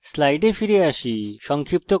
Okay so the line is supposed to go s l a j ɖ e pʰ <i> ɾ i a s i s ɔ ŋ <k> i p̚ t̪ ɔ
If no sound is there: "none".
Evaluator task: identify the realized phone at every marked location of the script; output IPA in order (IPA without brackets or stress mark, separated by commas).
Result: i, kʰ